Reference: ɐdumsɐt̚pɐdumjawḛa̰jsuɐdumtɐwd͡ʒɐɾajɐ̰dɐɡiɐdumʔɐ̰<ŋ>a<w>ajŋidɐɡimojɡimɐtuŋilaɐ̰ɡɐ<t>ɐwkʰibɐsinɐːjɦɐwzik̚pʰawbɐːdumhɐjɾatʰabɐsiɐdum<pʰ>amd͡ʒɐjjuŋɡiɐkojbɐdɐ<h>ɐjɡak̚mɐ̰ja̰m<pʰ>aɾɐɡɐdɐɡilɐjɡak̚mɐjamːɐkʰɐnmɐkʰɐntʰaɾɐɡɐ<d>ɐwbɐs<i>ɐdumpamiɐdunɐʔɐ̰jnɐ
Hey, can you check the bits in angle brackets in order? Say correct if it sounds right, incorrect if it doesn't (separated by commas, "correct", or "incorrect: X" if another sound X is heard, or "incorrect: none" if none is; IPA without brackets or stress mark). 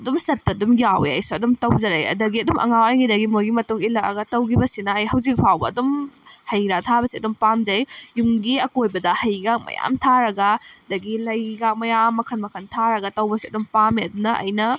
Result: correct, correct, correct, incorrect: p, correct, incorrect: tʰ, incorrect: t, correct